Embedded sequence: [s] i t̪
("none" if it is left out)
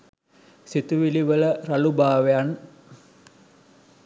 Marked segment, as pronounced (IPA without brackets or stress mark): s